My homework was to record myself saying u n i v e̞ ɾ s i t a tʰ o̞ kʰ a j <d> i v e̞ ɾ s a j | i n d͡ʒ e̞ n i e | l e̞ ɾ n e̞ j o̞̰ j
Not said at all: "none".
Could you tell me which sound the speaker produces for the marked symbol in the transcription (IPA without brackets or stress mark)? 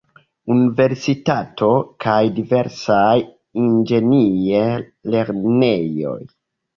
d